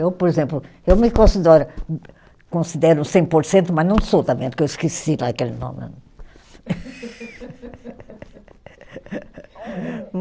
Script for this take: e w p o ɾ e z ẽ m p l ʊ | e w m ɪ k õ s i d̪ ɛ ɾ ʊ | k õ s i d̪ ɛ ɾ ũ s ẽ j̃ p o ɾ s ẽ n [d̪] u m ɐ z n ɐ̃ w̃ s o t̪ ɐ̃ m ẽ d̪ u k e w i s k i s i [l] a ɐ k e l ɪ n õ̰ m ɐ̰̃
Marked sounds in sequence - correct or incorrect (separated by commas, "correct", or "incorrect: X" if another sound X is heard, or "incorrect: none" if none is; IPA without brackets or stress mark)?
incorrect: t̪, correct